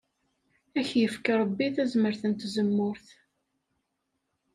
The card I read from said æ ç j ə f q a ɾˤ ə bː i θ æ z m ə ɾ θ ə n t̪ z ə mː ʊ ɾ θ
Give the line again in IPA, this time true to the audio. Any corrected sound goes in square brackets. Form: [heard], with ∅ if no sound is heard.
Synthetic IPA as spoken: æ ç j ə f [k] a ɾˤ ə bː i θ æ z m ə ɾ θ ə n t̪ z ə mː ʊ ɾ θ